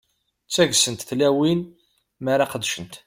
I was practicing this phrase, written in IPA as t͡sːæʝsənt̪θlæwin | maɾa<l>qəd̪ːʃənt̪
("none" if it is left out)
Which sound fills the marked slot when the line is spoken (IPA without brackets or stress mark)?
none